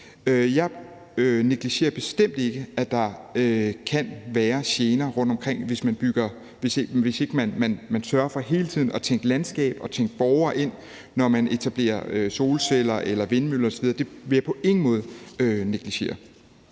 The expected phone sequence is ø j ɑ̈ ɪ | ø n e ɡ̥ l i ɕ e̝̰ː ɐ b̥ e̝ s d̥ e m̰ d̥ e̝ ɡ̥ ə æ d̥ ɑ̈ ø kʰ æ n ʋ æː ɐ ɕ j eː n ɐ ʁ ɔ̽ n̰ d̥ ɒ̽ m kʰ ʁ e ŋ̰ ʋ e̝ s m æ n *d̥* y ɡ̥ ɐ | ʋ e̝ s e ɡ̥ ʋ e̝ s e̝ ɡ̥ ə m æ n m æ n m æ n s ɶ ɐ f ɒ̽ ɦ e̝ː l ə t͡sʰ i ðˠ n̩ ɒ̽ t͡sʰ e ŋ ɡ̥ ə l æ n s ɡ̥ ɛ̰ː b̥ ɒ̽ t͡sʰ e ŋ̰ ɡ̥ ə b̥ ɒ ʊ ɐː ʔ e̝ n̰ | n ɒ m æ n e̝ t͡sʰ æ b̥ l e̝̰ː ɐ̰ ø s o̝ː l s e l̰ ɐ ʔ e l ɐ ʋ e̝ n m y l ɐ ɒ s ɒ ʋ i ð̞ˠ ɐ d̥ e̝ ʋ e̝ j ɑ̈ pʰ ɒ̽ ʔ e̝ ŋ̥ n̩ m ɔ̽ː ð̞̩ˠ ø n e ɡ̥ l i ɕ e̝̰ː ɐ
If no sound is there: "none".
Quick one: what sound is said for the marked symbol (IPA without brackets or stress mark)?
b̥